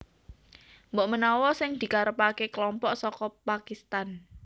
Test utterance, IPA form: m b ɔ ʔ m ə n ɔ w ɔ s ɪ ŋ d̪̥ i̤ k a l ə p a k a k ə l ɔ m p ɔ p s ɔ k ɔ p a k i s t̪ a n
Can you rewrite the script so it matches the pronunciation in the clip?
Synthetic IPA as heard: m b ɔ ʔ m ə n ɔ w ɔ s ɪ ŋ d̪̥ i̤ k a ɾ ə p a k e k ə l ɔ m p ɔ ʔ s ɔ k ɔ p a k i s t̪ a n